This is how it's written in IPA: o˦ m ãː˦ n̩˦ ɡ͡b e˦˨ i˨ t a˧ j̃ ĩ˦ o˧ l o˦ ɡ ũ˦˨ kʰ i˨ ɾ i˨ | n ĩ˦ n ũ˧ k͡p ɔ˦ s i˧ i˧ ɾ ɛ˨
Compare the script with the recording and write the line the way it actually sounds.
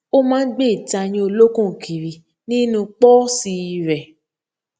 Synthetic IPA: o˦ m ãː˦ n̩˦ ɡ͡b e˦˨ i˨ t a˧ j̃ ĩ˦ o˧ l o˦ k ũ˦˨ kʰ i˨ ɾ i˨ | n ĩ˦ n ũ˧ k͡p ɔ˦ s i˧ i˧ ɾ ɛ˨